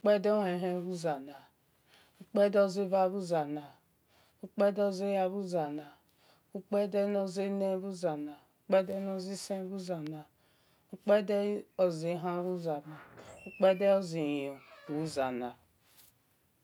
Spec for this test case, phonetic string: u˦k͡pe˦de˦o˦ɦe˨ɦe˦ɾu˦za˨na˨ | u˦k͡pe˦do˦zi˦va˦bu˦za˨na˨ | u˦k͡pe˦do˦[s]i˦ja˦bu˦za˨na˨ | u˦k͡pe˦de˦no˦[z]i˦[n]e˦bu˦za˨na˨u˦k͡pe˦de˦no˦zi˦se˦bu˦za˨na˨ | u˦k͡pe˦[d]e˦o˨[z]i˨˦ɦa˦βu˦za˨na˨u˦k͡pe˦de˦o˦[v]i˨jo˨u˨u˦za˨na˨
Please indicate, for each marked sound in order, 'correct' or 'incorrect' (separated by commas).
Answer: incorrect, correct, correct, correct, correct, incorrect